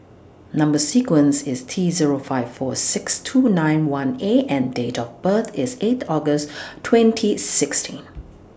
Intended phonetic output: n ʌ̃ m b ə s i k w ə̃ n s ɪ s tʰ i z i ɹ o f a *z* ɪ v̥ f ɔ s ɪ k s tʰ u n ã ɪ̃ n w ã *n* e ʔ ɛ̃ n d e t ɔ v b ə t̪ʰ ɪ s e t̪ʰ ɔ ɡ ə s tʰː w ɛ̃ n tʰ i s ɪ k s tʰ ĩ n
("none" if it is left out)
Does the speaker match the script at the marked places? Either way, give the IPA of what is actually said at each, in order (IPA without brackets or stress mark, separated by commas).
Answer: none, n